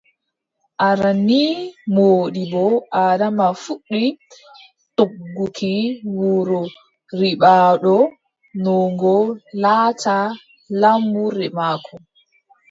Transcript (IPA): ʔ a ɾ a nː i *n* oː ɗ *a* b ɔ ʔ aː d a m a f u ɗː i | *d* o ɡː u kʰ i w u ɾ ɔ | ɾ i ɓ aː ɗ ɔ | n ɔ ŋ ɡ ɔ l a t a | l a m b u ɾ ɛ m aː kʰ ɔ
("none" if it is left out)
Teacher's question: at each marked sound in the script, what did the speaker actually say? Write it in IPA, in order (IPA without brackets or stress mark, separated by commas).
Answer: m, i, t